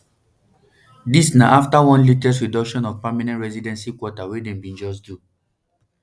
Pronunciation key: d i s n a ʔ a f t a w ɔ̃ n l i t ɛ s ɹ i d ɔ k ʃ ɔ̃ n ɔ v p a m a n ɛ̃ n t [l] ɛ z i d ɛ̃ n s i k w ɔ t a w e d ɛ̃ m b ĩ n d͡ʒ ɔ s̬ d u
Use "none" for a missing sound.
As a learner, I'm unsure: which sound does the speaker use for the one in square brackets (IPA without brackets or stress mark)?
ɹ